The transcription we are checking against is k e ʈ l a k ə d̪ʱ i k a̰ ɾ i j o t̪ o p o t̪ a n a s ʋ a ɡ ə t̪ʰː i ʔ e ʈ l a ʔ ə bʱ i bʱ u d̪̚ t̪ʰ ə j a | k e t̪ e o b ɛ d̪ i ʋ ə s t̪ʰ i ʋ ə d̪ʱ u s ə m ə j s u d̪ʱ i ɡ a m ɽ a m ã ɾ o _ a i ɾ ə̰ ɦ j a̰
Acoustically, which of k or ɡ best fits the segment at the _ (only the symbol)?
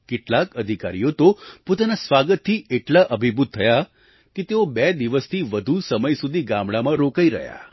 k